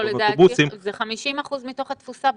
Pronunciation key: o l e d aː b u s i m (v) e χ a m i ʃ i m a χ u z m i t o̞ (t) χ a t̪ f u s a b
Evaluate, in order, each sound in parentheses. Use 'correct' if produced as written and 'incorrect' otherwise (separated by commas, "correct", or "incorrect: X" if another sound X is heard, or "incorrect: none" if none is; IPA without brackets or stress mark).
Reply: incorrect: z, incorrect: none